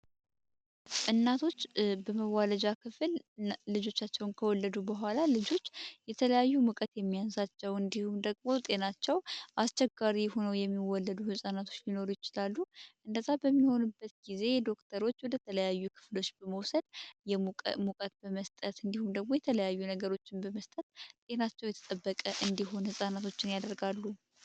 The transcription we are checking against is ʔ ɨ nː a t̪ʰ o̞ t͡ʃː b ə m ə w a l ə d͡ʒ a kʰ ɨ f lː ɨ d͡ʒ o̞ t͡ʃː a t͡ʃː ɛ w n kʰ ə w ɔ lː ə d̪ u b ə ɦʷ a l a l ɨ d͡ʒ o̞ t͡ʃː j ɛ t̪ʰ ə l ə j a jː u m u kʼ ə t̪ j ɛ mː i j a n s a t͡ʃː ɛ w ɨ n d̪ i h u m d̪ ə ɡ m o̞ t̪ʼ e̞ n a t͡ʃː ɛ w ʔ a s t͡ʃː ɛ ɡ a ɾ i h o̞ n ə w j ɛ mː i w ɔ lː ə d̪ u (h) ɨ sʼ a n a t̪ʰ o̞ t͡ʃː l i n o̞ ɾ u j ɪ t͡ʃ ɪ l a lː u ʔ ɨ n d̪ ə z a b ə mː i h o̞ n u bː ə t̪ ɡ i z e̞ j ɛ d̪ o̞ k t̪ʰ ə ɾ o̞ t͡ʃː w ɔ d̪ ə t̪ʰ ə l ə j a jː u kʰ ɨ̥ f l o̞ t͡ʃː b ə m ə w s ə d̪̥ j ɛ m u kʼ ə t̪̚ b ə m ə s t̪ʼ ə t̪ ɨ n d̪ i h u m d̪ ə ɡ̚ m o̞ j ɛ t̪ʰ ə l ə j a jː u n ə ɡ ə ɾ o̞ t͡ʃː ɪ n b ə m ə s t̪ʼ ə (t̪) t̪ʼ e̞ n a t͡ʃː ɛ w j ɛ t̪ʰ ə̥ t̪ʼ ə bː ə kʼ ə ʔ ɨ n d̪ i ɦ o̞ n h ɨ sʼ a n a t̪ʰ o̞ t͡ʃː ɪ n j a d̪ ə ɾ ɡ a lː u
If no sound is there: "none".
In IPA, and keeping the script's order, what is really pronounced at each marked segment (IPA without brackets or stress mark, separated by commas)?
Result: h, t̪